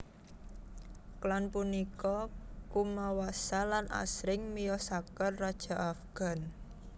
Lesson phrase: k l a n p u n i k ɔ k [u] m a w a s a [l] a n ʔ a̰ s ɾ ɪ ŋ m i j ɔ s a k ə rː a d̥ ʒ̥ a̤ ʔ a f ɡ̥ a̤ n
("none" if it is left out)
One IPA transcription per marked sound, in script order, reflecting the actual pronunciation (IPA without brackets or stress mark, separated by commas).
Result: u, l